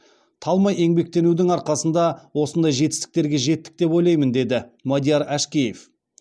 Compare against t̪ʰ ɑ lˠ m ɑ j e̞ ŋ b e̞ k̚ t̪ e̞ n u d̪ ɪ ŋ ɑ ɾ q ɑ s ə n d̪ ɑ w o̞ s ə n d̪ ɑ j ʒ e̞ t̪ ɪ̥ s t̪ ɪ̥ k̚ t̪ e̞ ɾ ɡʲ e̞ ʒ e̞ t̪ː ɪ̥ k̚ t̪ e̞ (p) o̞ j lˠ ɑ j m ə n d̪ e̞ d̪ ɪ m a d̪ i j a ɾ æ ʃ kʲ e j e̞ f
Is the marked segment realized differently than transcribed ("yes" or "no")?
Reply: no